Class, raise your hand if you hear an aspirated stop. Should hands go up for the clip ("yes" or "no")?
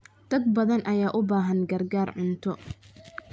yes